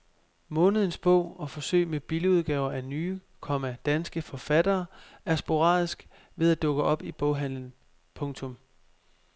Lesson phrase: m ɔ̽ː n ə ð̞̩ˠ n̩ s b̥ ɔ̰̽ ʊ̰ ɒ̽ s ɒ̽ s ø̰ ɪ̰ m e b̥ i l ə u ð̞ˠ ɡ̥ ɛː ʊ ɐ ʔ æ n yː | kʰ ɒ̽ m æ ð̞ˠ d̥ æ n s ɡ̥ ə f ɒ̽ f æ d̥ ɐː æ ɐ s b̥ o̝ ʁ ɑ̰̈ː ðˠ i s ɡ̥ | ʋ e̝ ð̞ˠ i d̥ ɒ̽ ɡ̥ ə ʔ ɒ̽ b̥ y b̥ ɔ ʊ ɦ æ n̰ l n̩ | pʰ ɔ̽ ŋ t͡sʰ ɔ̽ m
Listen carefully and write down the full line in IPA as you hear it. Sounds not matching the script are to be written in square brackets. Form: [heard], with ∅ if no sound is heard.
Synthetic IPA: m ɔ̽ː n ə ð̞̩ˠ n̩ s b̥ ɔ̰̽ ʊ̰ ɒ̽ [f] ɒ̽ s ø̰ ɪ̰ m e b̥ i l ə u ð̞ˠ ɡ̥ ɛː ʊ ɐ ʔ æ n yː | kʰ ɒ̽ m æ [∅] d̥ æ n s ɡ̥ ə f ɒ̽ f æ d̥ ɐː æ ɐ s b̥ o̝ ʁ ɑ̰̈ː ðˠ i s ɡ̥ | ʋ e̝ ð̞ˠ [æ] d̥ [ɔ̽] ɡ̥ ə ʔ ɒ̽ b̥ [i] b̥ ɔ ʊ ɦ æ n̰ l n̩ | pʰ ɔ̽ ŋ t͡sʰ ɔ̽ m